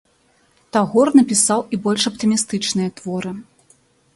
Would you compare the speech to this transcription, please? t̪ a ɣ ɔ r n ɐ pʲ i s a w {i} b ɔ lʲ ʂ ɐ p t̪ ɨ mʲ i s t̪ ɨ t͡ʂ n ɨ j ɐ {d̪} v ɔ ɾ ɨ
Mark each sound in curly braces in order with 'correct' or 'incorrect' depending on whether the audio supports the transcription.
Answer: correct, incorrect: t̪

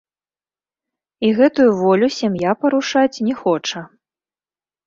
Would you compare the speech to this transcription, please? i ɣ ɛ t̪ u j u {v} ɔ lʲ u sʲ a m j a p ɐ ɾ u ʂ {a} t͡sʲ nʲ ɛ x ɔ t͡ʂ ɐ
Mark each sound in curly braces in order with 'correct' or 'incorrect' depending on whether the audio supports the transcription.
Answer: correct, correct

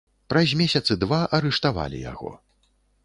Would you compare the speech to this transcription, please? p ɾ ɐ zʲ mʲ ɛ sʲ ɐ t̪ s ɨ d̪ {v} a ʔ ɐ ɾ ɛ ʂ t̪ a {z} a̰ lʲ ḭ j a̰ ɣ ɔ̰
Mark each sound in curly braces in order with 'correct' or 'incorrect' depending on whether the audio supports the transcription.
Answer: correct, incorrect: v

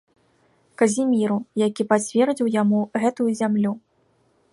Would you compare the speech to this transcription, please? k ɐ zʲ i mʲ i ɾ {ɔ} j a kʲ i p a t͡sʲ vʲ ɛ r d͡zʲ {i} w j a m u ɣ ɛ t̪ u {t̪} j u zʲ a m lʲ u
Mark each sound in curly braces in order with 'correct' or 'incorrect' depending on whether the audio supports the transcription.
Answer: incorrect: u, correct, incorrect: none

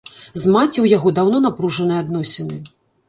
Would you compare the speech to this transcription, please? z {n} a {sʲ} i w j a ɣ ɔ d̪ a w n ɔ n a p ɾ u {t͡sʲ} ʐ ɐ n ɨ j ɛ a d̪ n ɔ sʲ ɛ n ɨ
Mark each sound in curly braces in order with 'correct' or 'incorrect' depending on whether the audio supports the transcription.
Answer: incorrect: m, incorrect: t͡sʲ, incorrect: none

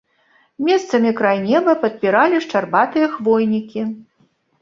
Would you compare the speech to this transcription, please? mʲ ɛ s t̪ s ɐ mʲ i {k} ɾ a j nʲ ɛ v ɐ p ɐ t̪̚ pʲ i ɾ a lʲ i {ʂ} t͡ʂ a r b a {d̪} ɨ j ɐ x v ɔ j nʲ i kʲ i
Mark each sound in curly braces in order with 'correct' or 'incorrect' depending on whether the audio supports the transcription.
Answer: correct, correct, incorrect: t̪

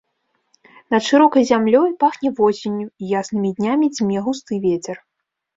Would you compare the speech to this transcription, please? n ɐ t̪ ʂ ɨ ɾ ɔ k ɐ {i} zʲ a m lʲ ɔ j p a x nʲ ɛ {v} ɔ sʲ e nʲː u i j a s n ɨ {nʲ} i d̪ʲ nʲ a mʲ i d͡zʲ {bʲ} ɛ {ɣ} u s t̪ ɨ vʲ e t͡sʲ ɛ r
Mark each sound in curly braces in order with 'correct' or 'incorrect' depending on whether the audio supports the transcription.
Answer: incorrect: j, correct, incorrect: mʲ, incorrect: mʲ, correct

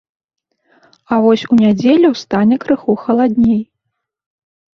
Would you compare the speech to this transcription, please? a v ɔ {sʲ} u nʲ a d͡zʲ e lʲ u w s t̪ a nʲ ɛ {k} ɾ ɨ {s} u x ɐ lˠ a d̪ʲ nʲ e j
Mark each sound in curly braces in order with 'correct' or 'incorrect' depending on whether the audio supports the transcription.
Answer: correct, correct, incorrect: x

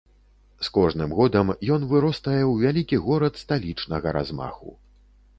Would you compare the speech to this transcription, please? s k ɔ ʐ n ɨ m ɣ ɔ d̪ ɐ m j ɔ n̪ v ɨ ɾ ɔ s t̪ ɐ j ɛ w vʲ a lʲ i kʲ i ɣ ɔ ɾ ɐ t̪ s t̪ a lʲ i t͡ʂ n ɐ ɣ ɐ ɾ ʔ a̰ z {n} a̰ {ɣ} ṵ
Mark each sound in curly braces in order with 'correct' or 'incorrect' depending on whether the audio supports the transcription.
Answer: incorrect: m, incorrect: x

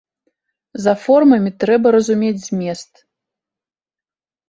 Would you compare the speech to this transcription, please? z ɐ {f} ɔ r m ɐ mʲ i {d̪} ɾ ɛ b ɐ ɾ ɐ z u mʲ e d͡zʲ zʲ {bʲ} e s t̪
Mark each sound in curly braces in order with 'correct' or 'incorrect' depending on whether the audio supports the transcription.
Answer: correct, incorrect: t̪, incorrect: mʲ

